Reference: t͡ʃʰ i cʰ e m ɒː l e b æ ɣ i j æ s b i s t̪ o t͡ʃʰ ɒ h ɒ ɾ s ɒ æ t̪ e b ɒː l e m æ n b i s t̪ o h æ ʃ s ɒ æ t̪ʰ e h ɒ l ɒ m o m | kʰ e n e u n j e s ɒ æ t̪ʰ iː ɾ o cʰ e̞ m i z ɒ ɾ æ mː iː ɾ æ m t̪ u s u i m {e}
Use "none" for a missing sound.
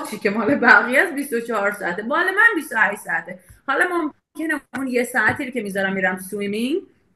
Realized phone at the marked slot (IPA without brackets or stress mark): i